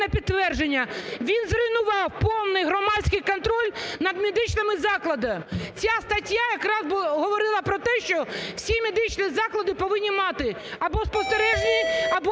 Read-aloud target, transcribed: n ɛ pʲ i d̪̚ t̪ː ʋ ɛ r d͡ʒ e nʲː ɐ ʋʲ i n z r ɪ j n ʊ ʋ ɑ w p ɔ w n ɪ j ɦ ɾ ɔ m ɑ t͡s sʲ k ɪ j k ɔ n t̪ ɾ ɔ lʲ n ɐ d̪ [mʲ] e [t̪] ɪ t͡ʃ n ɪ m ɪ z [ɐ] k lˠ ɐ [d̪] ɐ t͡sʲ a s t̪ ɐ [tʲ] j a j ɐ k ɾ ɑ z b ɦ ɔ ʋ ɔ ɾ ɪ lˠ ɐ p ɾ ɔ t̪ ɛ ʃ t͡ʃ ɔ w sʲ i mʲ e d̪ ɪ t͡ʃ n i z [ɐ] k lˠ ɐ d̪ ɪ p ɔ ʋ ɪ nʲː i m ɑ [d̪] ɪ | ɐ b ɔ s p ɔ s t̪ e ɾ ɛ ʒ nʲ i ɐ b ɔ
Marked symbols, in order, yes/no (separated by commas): yes, no, no, yes, yes, no, no